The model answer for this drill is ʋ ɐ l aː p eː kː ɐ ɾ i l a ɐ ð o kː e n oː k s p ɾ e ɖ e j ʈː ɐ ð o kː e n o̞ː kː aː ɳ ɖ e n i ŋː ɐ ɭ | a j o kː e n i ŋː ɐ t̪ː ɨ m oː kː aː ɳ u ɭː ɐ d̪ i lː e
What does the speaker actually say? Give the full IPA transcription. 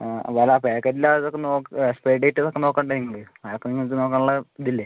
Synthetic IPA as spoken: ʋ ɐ l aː p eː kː ɐ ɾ i l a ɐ ð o kː e n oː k s p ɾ e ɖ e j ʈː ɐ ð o kː e n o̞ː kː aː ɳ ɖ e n i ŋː ɐ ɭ | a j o kː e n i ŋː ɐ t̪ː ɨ n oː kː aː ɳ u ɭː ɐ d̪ i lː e